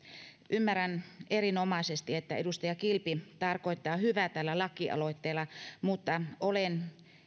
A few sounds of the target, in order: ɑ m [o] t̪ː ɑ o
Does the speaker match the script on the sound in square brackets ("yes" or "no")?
no